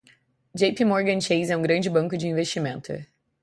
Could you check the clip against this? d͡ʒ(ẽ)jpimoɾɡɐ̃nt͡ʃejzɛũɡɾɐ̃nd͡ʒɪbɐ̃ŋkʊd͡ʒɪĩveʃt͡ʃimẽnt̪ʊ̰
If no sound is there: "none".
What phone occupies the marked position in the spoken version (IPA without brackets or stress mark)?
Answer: e